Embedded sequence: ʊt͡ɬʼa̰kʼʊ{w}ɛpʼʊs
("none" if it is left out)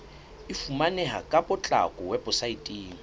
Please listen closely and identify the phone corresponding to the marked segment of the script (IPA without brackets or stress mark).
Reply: w